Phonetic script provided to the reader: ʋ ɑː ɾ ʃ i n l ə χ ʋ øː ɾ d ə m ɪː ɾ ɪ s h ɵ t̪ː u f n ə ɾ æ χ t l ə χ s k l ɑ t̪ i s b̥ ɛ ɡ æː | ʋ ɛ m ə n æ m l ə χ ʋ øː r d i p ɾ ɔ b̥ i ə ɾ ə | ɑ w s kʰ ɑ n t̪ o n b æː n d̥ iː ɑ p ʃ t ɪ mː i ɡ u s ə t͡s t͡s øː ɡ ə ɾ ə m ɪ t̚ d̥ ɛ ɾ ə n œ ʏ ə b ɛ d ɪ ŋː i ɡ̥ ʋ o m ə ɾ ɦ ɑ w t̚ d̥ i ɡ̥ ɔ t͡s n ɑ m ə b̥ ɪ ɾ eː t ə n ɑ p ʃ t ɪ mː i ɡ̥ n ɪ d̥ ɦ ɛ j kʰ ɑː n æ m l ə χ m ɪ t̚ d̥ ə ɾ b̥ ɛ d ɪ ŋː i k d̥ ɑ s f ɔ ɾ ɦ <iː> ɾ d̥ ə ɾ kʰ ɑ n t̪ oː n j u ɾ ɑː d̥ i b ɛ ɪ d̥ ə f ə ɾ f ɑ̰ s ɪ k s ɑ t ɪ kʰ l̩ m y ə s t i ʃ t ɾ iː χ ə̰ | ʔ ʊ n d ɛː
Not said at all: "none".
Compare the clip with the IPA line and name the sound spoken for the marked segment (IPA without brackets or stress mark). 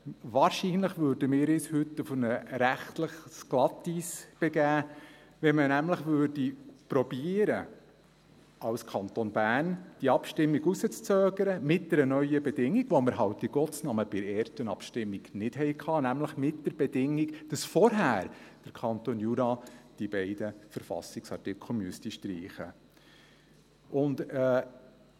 æː